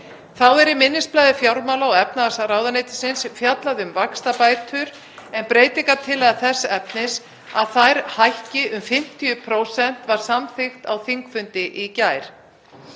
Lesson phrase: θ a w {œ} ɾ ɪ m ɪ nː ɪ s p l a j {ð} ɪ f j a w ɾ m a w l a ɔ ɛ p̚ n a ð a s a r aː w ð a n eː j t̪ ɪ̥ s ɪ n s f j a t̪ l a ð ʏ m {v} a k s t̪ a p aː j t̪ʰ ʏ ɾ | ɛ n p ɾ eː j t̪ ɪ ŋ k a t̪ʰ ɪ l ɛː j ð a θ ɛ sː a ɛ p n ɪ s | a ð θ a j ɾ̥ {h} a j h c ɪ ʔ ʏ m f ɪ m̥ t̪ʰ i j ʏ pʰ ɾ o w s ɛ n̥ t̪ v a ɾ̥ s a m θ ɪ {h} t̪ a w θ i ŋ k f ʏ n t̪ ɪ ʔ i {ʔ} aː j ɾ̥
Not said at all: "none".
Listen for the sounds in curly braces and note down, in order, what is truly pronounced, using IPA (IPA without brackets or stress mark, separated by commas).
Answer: ɛ, ð, v, h, x, c